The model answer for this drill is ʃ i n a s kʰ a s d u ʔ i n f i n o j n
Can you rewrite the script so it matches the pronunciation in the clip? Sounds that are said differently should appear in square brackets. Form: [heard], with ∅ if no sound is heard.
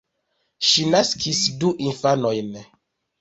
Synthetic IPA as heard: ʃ i n a s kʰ [i] s d u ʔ i n f [a] n o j n